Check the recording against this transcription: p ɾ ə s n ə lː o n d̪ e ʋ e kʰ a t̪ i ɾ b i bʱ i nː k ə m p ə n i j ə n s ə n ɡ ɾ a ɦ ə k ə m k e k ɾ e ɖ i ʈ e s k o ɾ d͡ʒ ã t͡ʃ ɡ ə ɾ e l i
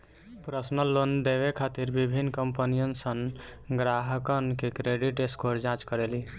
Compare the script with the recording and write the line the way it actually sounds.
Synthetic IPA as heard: p ɾ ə s n ə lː o n d̪ e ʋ e kʰ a t̪ i ɾ b i bʱ i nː k ə m p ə n i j ə n s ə n ɡ ɾ a ɦ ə k ə n k e k ɾ e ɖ i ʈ e s k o ɾ d͡ʒ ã t͡ʃ k ə ɾ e l i